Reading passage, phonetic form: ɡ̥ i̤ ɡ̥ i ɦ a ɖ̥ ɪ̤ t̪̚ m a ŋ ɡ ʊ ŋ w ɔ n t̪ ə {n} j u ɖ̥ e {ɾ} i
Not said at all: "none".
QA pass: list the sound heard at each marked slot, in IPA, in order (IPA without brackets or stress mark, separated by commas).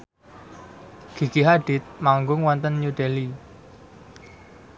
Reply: n, l